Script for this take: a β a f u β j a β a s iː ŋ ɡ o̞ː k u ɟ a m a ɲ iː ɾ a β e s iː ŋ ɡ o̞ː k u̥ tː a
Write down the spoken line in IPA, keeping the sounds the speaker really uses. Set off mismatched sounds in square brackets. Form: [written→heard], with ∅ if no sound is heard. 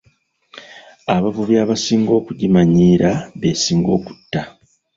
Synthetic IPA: a β a [f→v] u β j a β a s iː ŋ ɡ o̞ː k u ɟ [a→i] m a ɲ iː ɾ a β e s iː ŋ ɡ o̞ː k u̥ tː a